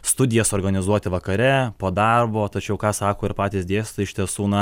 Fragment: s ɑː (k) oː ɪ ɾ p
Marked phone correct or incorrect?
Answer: correct